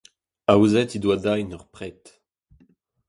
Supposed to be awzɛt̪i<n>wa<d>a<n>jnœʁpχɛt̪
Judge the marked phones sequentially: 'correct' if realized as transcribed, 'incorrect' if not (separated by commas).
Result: incorrect, correct, incorrect